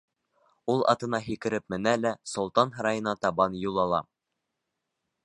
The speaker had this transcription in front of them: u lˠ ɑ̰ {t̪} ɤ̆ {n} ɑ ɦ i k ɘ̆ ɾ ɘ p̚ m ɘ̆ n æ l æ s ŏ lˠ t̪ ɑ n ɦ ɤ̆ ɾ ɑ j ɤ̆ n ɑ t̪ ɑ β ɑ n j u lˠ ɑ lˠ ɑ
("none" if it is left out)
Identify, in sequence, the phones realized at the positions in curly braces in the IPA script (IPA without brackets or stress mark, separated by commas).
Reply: t̪, n